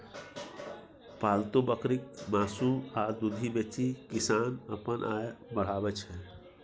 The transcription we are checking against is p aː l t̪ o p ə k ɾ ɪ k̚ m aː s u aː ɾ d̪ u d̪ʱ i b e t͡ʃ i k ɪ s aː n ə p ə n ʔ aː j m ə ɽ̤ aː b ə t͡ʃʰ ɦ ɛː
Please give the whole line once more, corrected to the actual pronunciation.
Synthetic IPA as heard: p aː l t̪ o b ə k ɾ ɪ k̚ m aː s u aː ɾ d̪ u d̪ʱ i b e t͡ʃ i k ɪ s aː n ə p ə n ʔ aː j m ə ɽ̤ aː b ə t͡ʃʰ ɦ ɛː